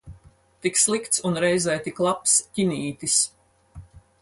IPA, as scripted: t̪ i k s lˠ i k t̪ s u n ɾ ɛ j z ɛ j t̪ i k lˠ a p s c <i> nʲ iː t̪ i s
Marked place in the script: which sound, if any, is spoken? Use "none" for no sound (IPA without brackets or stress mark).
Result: i